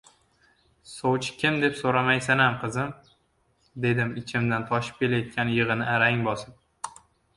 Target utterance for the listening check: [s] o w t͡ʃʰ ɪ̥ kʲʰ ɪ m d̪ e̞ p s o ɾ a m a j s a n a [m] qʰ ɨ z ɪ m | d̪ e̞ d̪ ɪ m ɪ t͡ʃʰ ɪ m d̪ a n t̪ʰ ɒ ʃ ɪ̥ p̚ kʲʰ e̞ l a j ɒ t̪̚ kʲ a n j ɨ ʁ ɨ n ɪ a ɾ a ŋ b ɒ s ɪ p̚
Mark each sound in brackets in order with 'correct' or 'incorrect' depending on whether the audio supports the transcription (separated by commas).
correct, correct